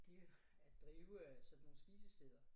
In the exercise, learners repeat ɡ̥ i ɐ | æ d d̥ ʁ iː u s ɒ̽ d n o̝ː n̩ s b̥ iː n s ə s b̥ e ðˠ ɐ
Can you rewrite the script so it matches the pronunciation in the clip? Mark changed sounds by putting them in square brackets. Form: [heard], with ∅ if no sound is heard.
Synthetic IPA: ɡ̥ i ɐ | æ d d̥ ʁ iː [ʊ] s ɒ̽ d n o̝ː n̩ s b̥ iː [∅] s ə s [d̥] e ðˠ ɐ